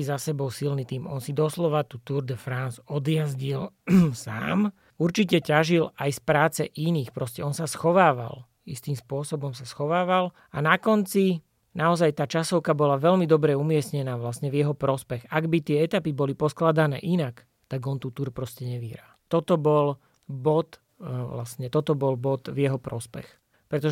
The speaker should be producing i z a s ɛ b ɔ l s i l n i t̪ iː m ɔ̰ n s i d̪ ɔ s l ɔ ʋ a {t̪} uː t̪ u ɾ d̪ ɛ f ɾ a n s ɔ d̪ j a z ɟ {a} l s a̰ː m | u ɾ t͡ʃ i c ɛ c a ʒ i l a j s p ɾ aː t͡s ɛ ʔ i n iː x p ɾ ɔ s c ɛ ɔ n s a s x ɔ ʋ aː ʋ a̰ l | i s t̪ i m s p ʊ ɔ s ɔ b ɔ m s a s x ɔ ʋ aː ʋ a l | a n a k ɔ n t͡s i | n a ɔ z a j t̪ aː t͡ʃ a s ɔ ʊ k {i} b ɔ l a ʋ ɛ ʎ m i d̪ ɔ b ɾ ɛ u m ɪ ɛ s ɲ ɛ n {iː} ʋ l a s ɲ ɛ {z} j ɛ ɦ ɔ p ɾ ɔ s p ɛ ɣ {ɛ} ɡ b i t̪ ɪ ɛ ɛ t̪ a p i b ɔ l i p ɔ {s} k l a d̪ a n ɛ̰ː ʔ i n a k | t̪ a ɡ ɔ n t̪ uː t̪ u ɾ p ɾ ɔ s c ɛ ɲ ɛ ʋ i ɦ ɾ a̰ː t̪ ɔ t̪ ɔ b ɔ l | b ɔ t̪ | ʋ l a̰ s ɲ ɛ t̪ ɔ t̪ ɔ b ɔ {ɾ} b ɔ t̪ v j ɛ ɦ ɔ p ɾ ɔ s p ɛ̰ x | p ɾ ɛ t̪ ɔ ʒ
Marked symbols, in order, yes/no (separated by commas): yes, no, no, no, no, no, yes, no